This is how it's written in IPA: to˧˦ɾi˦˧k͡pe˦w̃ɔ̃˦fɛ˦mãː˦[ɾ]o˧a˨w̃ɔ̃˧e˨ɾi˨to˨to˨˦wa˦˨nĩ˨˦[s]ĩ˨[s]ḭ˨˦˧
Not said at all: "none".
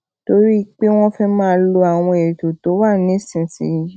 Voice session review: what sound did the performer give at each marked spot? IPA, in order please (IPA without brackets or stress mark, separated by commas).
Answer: l, s, s